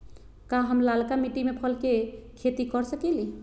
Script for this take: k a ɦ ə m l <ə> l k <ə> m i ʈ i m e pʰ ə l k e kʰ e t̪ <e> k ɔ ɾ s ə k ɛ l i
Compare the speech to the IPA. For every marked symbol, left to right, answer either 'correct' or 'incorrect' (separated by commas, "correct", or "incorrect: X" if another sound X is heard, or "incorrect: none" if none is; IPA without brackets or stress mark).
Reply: incorrect: a, incorrect: a, incorrect: i